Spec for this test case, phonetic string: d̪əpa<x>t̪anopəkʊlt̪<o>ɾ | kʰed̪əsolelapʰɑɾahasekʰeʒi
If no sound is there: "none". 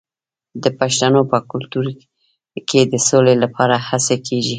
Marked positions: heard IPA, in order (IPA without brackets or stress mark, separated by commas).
ʃ, u